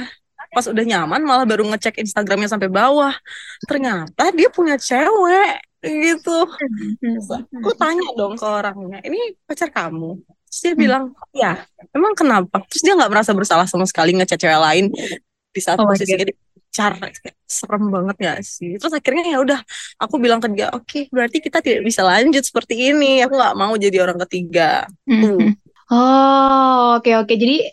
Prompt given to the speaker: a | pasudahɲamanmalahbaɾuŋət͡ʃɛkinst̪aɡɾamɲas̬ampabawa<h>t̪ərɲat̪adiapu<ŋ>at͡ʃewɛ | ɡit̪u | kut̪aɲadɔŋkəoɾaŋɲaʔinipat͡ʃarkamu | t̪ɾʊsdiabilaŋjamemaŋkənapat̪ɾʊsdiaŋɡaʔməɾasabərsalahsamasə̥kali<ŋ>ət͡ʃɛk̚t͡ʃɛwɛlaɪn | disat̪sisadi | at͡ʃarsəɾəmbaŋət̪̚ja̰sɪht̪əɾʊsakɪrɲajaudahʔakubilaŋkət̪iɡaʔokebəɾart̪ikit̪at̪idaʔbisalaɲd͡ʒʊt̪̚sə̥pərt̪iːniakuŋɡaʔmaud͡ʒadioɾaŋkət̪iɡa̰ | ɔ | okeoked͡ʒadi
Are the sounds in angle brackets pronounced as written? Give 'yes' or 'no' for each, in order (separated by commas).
yes, no, yes